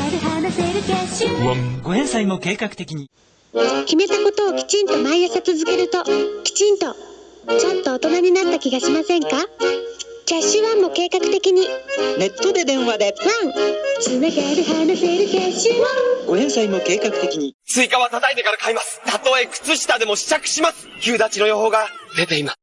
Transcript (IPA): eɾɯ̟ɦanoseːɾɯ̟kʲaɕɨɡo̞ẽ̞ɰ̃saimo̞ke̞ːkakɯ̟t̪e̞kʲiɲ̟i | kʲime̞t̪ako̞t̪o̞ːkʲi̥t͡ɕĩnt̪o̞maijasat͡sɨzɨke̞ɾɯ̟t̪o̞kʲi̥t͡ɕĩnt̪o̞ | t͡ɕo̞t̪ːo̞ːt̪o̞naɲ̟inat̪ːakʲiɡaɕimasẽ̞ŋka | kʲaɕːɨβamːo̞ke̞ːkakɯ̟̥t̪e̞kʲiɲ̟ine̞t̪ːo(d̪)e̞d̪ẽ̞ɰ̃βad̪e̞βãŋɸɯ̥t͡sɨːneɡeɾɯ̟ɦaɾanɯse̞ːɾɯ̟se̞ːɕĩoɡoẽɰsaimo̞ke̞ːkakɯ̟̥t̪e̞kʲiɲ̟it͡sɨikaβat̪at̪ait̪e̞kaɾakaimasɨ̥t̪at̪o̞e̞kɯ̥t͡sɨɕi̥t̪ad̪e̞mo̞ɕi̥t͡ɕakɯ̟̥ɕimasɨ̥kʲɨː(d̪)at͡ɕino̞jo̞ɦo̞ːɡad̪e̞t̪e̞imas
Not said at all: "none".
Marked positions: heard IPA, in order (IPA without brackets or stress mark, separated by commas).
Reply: d̪, d̪